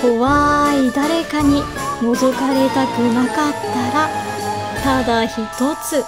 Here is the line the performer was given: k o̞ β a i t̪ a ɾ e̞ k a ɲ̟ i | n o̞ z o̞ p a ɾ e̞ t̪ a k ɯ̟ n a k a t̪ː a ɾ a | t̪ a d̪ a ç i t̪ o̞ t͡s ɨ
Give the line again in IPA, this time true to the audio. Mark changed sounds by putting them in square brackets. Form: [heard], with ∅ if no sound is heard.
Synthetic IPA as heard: k o̞ β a i [d̪] a ɾ e̞ k a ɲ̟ i | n o̞ z o̞ [k] a ɾ e̞ t̪ a k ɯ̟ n a k a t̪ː a ɾ a | t̪ a d̪ a ç i t̪ o̞ t͡s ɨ